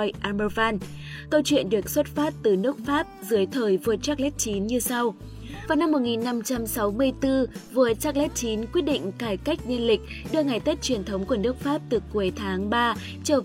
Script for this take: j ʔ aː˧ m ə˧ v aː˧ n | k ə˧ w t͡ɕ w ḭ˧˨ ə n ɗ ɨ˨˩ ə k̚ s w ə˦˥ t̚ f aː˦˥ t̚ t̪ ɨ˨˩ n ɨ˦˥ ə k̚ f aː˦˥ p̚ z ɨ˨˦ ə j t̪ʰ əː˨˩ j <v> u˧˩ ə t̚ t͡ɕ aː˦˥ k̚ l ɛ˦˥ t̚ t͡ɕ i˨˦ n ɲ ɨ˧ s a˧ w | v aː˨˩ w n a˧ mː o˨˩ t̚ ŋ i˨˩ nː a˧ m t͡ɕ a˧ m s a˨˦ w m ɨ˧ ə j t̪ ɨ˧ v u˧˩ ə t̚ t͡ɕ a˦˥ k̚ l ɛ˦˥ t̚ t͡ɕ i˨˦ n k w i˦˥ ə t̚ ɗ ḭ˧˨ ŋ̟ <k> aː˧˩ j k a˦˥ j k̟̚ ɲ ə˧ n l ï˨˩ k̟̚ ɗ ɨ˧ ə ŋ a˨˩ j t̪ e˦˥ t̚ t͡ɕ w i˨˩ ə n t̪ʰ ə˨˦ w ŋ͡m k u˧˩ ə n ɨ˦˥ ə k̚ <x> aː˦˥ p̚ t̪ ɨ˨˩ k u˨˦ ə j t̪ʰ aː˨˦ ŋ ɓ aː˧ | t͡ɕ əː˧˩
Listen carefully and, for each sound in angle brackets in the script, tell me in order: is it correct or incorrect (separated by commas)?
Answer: correct, correct, incorrect